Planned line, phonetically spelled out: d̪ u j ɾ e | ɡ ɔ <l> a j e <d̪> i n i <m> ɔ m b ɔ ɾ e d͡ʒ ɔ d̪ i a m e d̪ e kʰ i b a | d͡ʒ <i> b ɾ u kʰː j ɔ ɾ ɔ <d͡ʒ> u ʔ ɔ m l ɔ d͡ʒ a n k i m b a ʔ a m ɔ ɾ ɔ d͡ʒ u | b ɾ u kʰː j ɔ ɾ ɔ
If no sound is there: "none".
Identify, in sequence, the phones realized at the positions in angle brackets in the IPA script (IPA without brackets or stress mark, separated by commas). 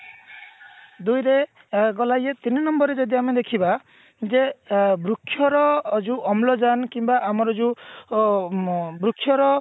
l, t̪, n, e, d͡ʒ